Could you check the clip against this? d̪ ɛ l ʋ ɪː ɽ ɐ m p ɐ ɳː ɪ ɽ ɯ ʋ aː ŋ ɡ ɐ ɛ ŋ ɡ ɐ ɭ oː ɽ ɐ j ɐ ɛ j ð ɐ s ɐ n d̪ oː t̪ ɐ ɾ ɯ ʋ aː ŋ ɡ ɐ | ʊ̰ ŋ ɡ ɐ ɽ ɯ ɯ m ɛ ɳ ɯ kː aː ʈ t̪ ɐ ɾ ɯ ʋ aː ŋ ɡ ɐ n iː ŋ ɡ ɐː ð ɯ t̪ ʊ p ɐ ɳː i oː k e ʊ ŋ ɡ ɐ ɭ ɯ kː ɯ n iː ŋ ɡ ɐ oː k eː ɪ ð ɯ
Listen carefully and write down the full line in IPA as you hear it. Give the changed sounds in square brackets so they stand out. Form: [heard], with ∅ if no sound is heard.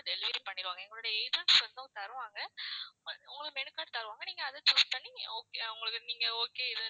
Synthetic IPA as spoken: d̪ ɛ l ʋ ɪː [ɾ] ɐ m p ɐ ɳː ɪ [ɾ] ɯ ʋ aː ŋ ɡ ɐ ɛ ŋ ɡ ɐ ɭ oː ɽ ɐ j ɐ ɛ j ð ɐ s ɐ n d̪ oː t̪ ɐ ɾ ɯ ʋ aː ŋ ɡ ɐ | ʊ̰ ŋ ɡ ɐ [ɭ] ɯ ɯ m ɛ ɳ ɯ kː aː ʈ t̪ ɐ ɾ ɯ ʋ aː ŋ ɡ ɐ n iː ŋ ɡ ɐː ð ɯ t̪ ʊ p ɐ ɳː i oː k e ʊ ŋ ɡ ɐ ɭ ɯ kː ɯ n iː ŋ ɡ ɐ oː k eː ɪ ð ɯ